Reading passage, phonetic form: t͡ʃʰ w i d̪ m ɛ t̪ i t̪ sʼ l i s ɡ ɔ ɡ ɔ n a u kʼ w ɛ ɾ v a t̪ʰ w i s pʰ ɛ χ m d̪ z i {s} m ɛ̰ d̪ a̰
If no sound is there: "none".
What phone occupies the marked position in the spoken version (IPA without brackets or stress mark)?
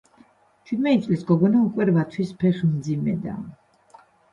none